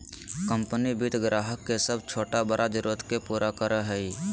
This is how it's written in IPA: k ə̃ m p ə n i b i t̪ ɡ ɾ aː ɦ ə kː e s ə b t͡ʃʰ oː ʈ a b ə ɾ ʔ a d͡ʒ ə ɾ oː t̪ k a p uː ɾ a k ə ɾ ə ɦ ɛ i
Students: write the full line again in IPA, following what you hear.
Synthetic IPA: k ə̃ m p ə n i b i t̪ ɡ ɾ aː ɦ ə kː e s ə b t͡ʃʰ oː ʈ a b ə ɾ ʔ a d͡ʒ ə ɾ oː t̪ k e p uː ɾ a k ə ɾ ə ɦ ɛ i